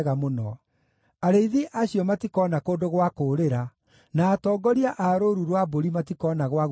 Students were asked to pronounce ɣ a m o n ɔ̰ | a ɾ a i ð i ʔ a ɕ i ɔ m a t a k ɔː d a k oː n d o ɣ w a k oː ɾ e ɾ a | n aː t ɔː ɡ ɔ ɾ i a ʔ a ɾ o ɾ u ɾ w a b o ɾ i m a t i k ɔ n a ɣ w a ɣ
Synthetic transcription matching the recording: ɣ a m o n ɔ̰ | a ɾ e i ð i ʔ a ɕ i ɔ m a t i k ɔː n a k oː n d o ɣ w a k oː ɾ e ɾ a | n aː t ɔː ɡ ɔ ɾ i a ʔ a ɾ o ɾ u ɾ w a b o ɾ i m a t i k ɔ n a ɣ w a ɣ